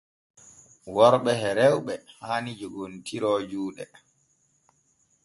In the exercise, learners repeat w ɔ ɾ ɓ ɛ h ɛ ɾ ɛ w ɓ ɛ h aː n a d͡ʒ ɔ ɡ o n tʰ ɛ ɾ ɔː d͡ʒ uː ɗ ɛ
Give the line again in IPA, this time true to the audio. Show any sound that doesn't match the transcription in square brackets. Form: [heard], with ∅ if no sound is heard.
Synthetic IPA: w ɔ ɾ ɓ ɛ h ɛ ɾ ɛ w ɓ ɛ h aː n [i] d͡ʒ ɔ ɡ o n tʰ [i] ɾ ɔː d͡ʒ uː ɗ ɛ